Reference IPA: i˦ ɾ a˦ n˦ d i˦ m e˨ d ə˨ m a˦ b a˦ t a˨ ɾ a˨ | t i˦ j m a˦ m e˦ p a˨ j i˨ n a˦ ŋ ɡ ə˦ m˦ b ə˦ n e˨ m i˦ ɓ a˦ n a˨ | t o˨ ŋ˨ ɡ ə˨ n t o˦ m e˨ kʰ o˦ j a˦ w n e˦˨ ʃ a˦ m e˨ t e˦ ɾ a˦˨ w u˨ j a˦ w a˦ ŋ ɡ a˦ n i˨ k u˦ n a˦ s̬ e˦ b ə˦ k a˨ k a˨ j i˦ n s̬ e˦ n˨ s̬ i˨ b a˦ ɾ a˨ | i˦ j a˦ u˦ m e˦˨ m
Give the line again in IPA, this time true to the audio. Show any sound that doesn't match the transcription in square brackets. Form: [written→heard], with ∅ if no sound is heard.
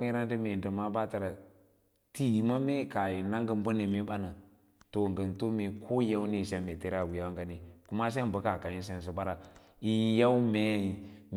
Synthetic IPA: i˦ ɾ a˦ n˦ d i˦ m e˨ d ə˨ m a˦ b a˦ t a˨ ɾ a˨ | t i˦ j m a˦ m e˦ [p→k] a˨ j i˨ n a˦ ŋ ɡ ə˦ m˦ b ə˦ n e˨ m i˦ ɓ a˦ n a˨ | t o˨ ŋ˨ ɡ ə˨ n t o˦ m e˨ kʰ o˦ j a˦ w n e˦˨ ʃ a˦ m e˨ t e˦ ɾ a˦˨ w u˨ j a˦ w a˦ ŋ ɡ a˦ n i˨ k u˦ [n→m] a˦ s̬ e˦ b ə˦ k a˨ k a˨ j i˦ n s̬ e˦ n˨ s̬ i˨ b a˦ ɾ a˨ | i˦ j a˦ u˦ m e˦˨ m